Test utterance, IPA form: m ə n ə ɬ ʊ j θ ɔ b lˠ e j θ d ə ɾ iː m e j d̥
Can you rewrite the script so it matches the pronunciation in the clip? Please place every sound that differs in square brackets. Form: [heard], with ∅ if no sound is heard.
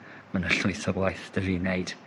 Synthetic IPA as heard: m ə n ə ɬ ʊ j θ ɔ b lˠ [a] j θ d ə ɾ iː [n] e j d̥